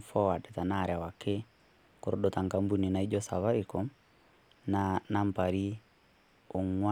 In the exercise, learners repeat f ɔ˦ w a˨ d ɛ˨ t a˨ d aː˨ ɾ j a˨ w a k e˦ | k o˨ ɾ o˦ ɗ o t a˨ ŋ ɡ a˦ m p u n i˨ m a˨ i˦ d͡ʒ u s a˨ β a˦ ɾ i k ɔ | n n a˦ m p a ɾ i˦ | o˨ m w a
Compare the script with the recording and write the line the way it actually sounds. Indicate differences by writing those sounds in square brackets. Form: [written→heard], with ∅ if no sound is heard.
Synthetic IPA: f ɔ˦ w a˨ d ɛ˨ t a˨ [d→n] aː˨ ɾ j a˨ w a k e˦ | k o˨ ɾ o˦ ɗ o t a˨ ŋ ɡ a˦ m [p→b] u n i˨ [m→n] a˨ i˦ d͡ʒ [u→ɔ] s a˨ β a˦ ɾ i k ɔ | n n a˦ m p a ɾ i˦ | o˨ [m→ŋ] w a